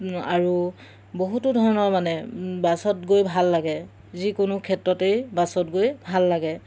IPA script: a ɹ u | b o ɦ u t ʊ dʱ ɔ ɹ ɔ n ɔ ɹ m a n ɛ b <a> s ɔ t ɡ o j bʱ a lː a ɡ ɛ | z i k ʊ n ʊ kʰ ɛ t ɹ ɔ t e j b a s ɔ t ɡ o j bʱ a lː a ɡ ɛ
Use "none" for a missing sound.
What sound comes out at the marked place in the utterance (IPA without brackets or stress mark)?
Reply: a